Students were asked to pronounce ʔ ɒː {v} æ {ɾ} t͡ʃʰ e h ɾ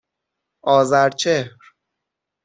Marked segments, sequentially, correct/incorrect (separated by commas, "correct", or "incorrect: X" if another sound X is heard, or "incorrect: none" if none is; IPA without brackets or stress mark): incorrect: z, correct